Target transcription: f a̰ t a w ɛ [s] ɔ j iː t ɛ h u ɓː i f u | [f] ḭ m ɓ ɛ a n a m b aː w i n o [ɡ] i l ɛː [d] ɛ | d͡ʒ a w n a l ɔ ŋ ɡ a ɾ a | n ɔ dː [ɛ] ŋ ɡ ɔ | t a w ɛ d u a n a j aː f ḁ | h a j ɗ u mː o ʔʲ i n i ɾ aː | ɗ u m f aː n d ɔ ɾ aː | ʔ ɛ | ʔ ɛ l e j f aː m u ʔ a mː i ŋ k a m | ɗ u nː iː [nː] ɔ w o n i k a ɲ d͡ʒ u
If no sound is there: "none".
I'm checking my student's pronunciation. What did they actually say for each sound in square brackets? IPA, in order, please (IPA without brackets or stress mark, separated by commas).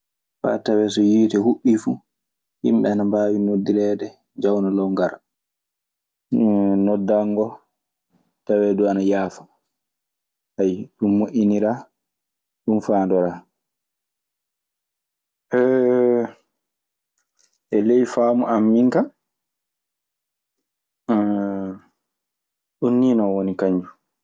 s, h, d, d, a, n